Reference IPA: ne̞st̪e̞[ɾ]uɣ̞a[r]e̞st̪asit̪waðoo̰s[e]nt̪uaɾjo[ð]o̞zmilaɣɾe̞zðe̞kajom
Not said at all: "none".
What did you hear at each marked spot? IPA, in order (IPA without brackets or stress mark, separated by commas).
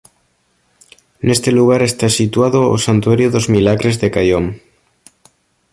l, ɾ, a, ð